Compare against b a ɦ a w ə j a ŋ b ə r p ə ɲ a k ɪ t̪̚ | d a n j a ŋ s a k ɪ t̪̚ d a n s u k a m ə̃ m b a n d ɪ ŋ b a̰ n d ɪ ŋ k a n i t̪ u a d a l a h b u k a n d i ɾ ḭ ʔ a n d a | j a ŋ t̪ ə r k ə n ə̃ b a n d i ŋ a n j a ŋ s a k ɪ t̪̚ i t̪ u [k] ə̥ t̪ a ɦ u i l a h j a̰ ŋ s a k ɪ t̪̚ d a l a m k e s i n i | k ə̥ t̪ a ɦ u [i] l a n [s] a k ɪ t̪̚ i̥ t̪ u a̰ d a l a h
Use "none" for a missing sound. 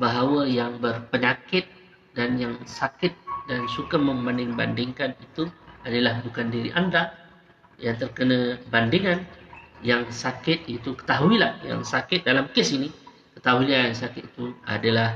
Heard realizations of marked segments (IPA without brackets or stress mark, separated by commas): k, i, s